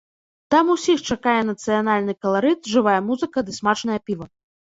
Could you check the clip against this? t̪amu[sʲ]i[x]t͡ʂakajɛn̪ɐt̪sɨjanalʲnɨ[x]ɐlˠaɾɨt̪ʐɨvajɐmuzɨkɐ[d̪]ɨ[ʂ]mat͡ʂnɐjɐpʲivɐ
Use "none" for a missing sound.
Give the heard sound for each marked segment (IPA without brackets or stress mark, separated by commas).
sʲ, x, k, d̪, s